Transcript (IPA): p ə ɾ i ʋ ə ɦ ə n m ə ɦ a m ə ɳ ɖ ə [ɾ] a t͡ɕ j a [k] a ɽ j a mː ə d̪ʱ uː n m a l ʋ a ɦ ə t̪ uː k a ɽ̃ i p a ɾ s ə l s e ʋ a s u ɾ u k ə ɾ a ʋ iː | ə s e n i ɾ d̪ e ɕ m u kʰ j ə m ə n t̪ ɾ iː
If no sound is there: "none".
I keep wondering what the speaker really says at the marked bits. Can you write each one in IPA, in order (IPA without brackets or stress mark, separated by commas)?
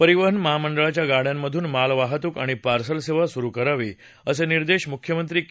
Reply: ɭ, ɡ